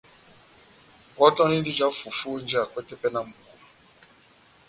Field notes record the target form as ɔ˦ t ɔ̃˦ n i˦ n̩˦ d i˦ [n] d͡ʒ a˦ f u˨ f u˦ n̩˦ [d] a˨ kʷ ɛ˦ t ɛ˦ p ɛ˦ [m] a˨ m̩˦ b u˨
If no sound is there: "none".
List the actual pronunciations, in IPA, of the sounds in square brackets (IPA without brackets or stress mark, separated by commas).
none, d͡ʒ, n